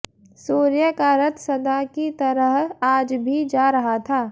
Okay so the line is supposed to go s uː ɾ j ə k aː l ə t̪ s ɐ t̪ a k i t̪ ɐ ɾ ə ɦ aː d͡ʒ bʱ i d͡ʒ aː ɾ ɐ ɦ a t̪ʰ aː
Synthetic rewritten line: s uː ɾ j ə k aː ɾ ə t̪ s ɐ d̪ a k i t̪ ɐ ɾ ə ɦ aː d͡ʒ bʱ i d͡ʒ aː ɾ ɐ ɦ a t̪ʰ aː

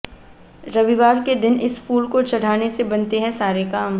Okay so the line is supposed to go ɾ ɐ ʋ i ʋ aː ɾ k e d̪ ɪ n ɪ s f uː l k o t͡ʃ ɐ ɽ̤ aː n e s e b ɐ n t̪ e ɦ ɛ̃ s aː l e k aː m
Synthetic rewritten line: ɾ ɐ ʋ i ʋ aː ɾ k e d̪ ɪ n ɪ s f uː l k o t͡ʃ ɐ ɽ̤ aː n e s e b ɐ n t̪ e ɦ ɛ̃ s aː ɾ e k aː m

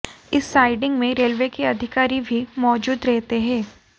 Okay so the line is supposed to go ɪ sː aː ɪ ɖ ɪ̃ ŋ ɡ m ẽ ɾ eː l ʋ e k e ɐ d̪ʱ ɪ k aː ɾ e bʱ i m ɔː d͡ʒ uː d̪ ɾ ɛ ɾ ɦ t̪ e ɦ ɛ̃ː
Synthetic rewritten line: ɪ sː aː ɪ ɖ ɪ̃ ŋ ɡ m ẽ ɾ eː l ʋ e k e ɐ d̪ʱ ɪ k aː ɾ i bʱ i m ɔː d͡ʒ uː d̪ ɾ ɛ ɦ t̪ e ɦ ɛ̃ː

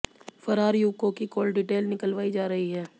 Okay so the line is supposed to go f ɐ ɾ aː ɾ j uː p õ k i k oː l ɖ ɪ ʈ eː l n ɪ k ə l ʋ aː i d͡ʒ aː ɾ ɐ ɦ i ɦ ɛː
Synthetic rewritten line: f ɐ ɾ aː ɾ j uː k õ k i k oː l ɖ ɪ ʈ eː l n ɪ k ə l ʋ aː i d͡ʒ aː ɾ ɐ ɦ i ɦ ɛː

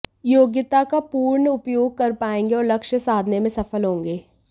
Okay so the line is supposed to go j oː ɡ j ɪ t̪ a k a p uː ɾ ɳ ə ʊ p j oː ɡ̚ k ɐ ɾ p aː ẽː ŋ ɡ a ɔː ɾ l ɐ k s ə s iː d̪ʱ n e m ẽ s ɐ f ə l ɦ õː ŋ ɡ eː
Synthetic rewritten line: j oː ɡ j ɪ t̪ a k a p uː ɾ ɳ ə ʊ p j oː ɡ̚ k ɐ ɾ p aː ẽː ŋ ɡ e ɔː ɾ l ɐ k ʃ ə s aː d̪ʱ n e m ẽ s ɐ f ə l ɦ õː ŋ ɡ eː

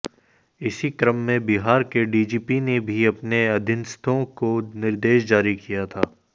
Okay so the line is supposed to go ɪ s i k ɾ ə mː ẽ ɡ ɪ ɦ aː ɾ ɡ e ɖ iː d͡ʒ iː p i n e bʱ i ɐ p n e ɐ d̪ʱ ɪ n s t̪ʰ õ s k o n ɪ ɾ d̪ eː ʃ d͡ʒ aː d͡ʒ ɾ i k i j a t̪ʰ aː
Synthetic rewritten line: ɪ s i k ɾ ə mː ẽ b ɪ ɦ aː ɾ k e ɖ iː d͡ʒ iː p i n e bʱ i ɐ p n e ɐ d̪ʱ ɪ n s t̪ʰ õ k o n ɪ ɾ d̪ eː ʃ d͡ʒ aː ɾ i k i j a t̪ʰ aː

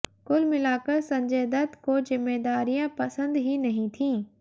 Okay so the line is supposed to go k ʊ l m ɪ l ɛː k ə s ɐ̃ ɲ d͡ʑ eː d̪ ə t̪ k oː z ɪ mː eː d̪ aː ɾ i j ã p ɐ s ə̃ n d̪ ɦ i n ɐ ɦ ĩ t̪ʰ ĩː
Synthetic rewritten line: k ʊ l m ɪ l aː k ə s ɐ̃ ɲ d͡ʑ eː d̪ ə t̪ k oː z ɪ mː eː d̪ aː ɾ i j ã p ɐ s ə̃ n d̪ ɦ i n ɐ ɦ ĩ t̪ʰ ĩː

